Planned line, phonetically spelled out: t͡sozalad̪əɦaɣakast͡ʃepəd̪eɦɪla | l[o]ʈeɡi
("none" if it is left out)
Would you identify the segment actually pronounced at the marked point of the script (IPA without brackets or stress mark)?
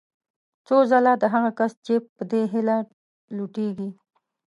u